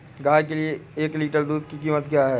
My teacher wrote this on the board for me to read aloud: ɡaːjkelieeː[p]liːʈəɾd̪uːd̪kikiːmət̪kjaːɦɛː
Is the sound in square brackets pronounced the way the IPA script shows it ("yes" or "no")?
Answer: no